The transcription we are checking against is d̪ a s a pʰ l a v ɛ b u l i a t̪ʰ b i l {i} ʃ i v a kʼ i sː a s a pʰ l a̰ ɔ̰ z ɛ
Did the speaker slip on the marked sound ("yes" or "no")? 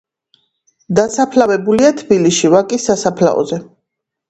no